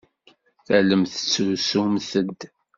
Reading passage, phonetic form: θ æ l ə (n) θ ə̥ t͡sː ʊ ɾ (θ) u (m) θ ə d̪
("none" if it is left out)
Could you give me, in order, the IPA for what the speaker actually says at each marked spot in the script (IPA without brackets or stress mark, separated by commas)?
m, s, m